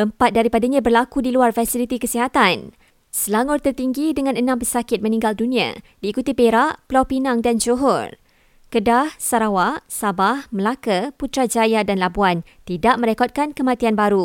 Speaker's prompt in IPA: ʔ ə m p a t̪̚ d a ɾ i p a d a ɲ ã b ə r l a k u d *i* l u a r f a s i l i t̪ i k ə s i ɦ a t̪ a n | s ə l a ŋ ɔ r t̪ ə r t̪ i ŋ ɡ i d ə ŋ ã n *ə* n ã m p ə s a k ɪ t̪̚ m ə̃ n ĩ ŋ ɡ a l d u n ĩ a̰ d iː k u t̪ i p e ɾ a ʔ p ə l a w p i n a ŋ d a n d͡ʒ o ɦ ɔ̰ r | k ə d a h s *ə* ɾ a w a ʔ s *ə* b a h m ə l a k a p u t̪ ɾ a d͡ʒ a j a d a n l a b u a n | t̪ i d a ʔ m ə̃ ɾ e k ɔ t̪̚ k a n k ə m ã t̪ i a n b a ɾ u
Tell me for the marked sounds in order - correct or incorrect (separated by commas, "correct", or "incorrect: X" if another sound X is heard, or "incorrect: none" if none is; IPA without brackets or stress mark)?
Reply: correct, correct, incorrect: a, incorrect: a